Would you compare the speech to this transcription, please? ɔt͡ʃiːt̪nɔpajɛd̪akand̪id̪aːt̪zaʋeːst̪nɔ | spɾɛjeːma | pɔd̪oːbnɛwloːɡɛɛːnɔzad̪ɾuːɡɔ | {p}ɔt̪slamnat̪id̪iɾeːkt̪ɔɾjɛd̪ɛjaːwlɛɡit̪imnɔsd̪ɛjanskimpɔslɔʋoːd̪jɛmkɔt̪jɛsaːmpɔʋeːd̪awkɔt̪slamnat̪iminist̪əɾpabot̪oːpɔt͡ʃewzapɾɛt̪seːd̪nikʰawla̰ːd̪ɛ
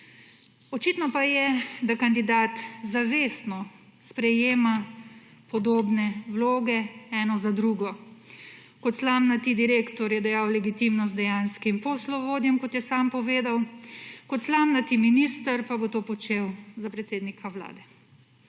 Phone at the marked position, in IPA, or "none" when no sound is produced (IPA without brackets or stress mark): k